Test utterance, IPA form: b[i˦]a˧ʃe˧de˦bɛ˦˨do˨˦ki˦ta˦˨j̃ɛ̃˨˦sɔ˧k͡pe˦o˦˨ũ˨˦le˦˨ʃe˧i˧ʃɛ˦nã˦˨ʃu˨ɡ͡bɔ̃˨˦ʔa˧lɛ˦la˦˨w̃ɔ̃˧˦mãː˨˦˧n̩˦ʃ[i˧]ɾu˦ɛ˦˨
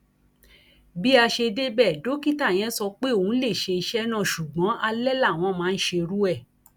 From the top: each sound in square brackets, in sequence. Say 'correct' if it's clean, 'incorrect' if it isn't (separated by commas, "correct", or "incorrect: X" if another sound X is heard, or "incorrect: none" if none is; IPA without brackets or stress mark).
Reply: correct, incorrect: e˧